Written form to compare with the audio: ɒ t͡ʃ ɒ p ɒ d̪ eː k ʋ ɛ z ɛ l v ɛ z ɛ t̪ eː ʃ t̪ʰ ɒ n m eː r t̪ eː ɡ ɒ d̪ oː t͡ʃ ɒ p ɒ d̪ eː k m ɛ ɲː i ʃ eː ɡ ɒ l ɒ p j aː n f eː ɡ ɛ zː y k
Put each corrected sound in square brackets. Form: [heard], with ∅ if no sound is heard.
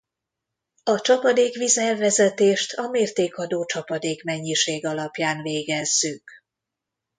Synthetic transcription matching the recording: ɒ t͡ʃ ɒ p ɒ d̪ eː k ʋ [i] z ɛ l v ɛ z ɛ t̪ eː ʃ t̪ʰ ɒ [∅] m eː r t̪ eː [k] ɒ d̪ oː t͡ʃ ɒ p ɒ d̪ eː k m ɛ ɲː i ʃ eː ɡ ɒ l ɒ p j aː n [v] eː ɡ ɛ zː y k